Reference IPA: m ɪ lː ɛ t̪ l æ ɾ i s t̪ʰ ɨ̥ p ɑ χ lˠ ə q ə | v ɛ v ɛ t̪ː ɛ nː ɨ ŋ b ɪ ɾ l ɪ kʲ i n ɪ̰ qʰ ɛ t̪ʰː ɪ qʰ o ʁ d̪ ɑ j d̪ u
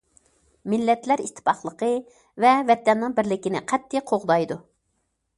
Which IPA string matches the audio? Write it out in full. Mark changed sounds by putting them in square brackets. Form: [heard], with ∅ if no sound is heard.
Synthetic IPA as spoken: m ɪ lː ɛ t̪ l æ ɾ i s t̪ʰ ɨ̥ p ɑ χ lˠ ə q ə | v ɛ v ɛ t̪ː ɛ nː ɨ ŋ b ɪ ɾ l ɪ kʲ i n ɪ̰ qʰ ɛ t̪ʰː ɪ qʰ o ʁ d̪ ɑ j d̪ u